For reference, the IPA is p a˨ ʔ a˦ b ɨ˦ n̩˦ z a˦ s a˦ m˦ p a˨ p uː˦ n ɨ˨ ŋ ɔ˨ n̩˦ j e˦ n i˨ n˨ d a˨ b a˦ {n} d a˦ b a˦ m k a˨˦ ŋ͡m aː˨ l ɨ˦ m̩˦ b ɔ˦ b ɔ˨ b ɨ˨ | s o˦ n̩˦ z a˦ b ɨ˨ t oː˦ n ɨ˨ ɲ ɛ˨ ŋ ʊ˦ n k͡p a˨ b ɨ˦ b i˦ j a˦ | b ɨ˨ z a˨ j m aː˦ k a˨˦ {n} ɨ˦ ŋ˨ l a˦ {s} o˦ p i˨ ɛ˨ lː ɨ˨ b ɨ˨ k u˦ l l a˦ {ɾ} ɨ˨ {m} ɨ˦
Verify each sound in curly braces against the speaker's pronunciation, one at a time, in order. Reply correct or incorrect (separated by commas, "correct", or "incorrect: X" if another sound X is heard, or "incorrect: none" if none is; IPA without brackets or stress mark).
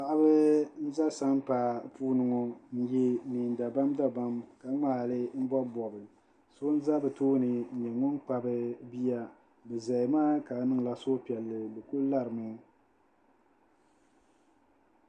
incorrect: m, correct, correct, correct, correct